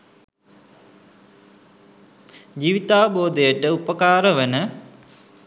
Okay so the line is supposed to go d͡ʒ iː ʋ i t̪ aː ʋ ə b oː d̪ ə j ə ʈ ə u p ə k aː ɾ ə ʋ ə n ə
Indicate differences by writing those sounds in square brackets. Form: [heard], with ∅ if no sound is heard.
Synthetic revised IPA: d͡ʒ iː ʋ i t̪ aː ʋ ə b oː d̪ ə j ə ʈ ə u p ə k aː ɾ ə ʋ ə n ə